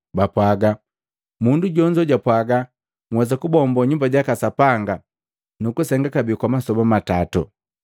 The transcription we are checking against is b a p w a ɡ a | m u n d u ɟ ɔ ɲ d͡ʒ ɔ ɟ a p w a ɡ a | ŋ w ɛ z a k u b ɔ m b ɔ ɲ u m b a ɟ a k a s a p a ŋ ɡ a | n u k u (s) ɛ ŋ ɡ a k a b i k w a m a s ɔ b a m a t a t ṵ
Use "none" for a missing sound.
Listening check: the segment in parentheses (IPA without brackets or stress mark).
s